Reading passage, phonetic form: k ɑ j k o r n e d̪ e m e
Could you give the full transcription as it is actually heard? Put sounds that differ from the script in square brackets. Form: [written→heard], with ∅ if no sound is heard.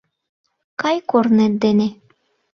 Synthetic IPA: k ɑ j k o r n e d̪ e [m→n] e